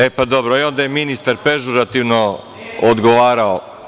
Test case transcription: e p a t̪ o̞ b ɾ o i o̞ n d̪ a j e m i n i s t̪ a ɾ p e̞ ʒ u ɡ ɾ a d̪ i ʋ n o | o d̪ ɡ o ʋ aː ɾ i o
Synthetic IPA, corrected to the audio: e p a d̪ o̞ b ɾ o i o̞ n d̪ a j e m i n i s t̪ a ɾ p e̞ ʒ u ɾ a t̪ i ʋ n o | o d̪ ɡ o ʋ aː ɾ a o